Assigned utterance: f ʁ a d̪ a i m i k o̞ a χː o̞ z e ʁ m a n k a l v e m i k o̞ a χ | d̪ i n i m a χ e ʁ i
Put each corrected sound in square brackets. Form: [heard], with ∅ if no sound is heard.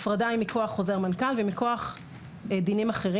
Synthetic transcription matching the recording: f ʁ a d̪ a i m i k o̞ a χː o̞ z e ʁ m a n k a l v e m i k o̞ a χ | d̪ i n i m a χ e ʁ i